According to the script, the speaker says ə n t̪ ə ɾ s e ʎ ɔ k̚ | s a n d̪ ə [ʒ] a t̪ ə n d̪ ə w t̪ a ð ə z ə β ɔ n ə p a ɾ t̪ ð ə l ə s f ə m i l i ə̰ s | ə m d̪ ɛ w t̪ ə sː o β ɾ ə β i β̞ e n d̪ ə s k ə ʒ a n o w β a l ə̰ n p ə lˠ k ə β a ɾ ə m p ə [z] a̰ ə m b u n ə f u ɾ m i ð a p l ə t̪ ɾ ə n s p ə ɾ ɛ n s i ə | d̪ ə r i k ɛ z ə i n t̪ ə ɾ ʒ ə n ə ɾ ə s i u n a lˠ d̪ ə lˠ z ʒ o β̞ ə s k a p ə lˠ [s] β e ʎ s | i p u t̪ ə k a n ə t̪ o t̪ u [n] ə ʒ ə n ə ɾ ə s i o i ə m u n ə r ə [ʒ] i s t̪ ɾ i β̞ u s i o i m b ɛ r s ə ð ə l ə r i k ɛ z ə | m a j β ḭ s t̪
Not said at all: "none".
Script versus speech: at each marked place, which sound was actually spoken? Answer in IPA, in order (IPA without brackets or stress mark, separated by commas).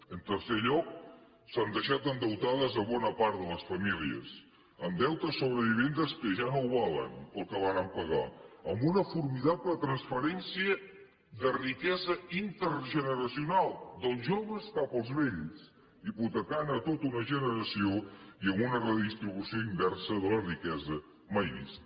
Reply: ʃ, ɣ, z, n, ð